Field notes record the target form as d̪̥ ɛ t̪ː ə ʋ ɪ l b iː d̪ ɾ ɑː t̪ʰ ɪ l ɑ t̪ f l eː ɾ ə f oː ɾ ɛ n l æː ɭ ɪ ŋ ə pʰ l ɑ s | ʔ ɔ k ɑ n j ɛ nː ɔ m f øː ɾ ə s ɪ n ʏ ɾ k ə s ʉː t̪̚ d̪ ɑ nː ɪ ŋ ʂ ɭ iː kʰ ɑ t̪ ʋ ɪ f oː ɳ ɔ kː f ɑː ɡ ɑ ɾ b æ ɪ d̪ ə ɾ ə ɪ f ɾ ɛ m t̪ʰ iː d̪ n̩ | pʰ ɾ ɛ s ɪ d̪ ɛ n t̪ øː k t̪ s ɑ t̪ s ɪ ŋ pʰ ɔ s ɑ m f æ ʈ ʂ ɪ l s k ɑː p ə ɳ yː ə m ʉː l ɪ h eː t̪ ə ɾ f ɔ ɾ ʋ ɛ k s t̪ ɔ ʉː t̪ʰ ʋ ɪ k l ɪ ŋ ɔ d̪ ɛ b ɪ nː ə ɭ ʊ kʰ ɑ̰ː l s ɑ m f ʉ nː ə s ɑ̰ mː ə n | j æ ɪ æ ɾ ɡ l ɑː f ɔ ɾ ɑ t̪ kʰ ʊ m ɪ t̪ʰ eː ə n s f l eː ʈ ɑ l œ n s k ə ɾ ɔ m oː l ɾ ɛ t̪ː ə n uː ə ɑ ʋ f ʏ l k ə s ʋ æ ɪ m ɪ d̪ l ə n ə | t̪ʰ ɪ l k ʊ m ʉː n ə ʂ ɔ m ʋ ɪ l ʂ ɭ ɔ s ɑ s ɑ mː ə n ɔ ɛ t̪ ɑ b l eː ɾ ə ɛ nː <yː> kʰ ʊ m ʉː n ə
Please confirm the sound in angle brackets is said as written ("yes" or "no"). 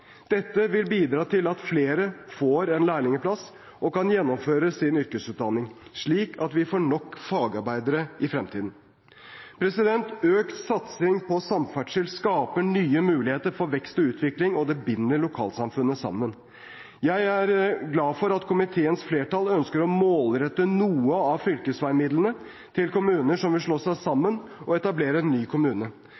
yes